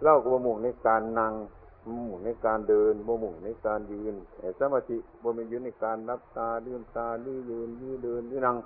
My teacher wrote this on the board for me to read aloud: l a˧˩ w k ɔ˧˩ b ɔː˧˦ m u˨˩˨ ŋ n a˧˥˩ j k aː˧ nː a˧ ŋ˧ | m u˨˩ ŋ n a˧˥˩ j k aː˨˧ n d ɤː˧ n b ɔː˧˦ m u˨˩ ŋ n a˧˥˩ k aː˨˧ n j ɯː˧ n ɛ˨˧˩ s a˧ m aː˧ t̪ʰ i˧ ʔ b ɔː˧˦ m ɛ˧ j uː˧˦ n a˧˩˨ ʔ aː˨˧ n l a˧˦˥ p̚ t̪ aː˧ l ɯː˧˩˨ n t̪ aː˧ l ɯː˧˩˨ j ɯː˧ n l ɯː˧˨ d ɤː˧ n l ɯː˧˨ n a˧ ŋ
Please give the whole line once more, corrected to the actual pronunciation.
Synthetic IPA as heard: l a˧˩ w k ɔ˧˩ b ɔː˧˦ m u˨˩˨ ŋ n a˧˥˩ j k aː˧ nː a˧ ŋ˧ | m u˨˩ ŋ n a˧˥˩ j k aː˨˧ n d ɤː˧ n b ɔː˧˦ m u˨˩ ŋ n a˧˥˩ k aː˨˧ n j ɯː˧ n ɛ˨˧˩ s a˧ m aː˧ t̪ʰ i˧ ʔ b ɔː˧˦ m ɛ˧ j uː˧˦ n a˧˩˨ k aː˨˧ n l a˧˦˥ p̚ t̪ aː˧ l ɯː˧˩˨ n t̪ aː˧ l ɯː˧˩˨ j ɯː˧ n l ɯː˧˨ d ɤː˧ n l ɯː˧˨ n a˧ ŋ